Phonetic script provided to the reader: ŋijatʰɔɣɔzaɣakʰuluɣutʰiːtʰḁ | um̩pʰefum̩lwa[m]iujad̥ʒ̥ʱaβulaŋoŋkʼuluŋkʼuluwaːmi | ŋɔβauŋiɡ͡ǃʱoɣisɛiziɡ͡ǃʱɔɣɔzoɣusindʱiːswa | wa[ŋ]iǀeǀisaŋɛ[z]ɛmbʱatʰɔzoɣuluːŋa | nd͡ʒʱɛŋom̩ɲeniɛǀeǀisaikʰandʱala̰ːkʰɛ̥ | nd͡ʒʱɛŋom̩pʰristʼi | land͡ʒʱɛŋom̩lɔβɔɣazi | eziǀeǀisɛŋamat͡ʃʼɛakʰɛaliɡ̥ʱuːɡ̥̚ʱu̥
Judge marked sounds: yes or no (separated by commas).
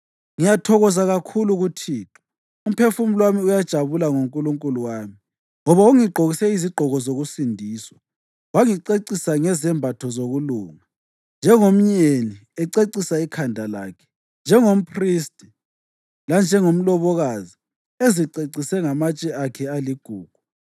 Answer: yes, yes, yes